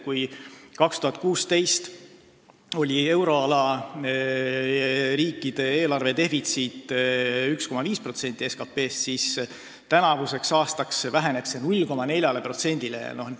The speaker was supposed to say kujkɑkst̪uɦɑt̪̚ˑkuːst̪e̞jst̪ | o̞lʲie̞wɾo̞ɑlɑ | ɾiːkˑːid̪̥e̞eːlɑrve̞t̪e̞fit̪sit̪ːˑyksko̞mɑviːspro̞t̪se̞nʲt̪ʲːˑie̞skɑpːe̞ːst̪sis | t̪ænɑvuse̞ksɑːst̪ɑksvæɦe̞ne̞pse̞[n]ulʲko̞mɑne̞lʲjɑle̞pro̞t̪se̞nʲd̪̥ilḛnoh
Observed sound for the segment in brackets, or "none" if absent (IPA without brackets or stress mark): n